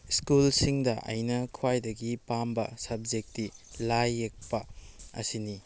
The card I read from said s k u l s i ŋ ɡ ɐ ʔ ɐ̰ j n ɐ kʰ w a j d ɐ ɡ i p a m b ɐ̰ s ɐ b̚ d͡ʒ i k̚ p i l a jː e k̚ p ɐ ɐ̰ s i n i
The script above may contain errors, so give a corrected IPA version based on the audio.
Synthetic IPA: s k u l s i ŋ d ɐ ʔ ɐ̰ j n ɐ kʰ w a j d ɐ ɡ i p a m b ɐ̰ s ɐ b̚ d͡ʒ e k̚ t i l a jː e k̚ p ɐ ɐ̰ s i n i